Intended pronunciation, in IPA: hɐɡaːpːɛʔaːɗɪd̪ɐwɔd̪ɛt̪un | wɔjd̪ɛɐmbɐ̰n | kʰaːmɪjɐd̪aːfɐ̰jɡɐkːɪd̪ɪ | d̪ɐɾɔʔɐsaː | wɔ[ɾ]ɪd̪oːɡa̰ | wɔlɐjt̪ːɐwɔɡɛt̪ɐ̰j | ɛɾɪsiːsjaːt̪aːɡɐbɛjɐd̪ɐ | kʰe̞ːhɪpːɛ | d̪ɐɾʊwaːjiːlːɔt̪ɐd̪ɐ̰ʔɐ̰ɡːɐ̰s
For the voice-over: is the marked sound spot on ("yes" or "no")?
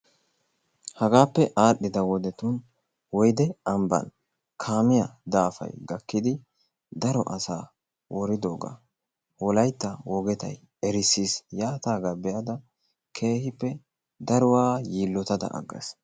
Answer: yes